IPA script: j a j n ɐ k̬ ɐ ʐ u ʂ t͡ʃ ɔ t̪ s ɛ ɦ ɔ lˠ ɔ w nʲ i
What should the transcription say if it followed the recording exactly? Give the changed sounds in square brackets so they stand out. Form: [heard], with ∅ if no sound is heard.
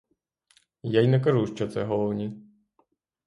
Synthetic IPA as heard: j a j n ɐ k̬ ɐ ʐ u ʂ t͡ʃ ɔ t̪ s ɛ ɦ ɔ lˠ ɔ w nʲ i